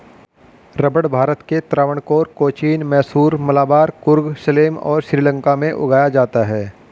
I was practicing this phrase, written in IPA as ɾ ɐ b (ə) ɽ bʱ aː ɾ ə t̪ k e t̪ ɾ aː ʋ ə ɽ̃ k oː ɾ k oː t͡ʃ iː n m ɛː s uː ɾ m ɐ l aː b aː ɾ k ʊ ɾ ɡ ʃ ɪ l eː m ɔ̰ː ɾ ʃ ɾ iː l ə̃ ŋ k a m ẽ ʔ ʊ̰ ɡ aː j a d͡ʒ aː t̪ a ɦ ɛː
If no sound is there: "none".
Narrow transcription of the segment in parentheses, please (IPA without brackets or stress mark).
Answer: ə